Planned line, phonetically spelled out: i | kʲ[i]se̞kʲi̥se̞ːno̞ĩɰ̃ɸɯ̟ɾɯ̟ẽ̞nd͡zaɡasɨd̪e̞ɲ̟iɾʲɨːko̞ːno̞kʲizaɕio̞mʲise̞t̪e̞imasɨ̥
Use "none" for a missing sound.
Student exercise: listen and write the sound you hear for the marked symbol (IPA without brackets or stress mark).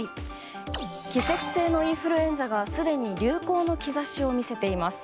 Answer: i